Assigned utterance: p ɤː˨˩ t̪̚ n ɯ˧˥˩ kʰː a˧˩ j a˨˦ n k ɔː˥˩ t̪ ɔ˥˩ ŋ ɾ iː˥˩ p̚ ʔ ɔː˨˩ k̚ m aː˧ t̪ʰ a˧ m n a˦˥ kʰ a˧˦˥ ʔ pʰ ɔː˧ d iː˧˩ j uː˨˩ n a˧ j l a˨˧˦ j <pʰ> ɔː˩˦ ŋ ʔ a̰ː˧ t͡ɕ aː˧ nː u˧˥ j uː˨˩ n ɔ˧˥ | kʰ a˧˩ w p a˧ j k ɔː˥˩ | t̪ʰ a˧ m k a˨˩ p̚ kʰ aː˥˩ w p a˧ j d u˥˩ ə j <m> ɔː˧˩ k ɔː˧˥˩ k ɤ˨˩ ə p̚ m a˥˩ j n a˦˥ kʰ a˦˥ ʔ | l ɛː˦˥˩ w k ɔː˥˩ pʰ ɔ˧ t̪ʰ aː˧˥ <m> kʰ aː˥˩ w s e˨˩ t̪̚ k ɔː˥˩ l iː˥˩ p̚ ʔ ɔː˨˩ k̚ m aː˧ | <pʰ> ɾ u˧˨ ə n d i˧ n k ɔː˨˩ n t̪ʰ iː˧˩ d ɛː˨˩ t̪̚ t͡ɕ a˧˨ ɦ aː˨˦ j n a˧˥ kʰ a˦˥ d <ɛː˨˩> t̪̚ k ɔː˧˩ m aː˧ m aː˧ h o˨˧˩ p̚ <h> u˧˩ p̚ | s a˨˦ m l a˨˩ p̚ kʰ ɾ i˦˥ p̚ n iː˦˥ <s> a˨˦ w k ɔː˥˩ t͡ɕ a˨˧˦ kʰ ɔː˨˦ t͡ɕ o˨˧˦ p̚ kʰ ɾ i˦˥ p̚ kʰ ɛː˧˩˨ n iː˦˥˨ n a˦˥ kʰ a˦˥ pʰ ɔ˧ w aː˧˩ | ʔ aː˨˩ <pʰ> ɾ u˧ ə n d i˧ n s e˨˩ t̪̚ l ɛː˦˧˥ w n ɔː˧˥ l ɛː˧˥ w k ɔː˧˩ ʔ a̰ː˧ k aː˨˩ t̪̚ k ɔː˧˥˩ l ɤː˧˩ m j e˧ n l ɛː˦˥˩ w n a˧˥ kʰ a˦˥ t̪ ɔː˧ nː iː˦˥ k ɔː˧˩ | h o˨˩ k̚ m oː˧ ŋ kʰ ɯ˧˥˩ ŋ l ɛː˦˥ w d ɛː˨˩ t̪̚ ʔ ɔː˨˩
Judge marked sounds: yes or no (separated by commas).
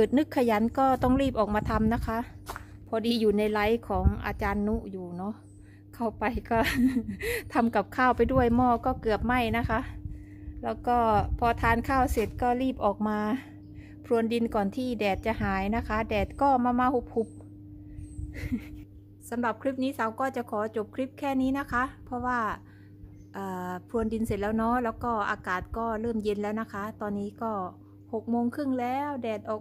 no, yes, no, yes, yes, yes, yes, yes